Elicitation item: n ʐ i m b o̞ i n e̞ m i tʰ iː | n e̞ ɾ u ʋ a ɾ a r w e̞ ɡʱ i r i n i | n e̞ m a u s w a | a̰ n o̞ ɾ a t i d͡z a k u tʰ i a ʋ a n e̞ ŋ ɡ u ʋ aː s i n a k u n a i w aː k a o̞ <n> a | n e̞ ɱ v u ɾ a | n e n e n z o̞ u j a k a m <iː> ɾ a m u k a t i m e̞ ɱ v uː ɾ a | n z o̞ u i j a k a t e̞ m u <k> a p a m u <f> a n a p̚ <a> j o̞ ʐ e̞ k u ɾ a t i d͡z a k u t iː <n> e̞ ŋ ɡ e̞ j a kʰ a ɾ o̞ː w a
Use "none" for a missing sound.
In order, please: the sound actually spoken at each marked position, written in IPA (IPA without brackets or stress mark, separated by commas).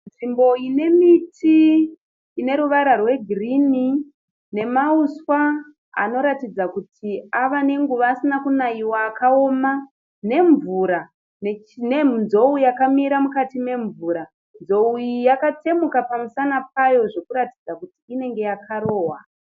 m, i, k, s, a, n